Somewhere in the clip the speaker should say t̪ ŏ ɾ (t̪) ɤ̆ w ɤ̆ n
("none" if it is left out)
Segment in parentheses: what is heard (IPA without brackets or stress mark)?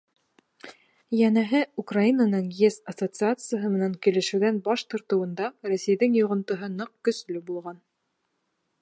t̪